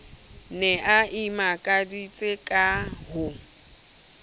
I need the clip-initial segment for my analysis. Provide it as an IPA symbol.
n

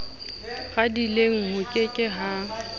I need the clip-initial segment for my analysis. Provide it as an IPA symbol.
ɣ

